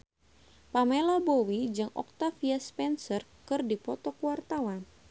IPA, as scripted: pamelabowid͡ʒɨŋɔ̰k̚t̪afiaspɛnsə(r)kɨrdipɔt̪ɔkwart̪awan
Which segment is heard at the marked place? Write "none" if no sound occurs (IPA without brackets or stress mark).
r